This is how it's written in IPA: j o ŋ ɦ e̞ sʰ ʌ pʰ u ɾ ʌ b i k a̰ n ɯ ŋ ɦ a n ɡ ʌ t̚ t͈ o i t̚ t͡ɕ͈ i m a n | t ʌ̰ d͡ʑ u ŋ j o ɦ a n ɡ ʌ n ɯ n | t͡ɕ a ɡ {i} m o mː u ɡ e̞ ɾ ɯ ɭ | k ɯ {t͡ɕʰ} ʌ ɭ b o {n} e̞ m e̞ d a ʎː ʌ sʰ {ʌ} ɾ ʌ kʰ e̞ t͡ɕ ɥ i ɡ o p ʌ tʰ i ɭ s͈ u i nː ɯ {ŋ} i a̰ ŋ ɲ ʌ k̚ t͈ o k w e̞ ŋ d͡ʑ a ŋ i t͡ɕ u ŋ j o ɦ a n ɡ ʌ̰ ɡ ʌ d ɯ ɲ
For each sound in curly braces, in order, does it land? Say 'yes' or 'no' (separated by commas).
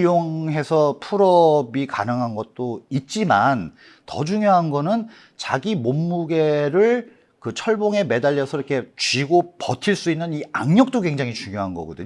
yes, yes, no, yes, no